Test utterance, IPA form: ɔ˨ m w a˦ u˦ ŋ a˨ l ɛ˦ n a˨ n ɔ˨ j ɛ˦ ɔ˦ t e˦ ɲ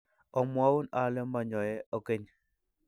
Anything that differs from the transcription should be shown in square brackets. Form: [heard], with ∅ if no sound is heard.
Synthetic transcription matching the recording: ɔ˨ m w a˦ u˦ [n] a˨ l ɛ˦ [m] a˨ [ɲ] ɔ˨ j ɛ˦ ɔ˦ [k] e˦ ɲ